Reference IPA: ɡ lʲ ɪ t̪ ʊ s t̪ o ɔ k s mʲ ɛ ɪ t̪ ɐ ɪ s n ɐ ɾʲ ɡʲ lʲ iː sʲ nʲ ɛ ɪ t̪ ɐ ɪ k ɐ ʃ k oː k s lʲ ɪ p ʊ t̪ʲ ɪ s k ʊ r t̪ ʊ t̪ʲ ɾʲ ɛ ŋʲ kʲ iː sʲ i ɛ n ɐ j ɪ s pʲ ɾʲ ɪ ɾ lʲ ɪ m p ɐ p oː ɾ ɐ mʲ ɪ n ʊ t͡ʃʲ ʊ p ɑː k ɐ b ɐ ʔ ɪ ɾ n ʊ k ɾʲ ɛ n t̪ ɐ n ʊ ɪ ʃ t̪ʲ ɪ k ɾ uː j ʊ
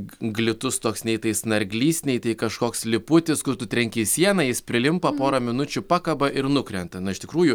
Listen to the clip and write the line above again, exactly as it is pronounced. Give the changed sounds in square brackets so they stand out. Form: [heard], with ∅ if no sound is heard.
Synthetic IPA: ɡ lʲ ɪ t̪ ʊ s t̪ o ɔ k s [nʲ] ɛ ɪ t̪ ɐ ɪ s n ɐ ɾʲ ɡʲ lʲ iː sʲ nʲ ɛ ɪ t̪ ɐ ɪ k ɐ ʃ k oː k s lʲ ɪ p ʊ t̪ʲ ɪ s k ʊ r t̪ ʊ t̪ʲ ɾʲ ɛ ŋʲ kʲ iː sʲ i ɛ n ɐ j ɪ s pʲ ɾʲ ɪ [∅] lʲ ɪ m p ɐ p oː ɾ ɐ mʲ ɪ n ʊ t͡ʃʲ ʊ p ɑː k ɐ b ɐ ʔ ɪ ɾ n ʊ k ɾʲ ɛ n t̪ ɐ n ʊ ɪ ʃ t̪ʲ ɪ k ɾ uː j ʊ